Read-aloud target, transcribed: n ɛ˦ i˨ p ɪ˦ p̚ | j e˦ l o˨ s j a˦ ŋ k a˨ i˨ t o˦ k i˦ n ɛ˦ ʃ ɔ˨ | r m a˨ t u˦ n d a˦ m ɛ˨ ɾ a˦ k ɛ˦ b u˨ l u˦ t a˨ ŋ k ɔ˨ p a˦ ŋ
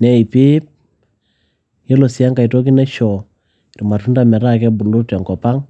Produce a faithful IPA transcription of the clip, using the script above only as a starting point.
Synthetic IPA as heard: n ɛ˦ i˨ p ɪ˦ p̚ | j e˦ l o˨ s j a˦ ŋ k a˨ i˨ t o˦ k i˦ n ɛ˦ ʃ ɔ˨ | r m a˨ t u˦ n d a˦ m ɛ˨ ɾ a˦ k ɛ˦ b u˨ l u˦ t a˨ ŋ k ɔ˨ p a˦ ŋ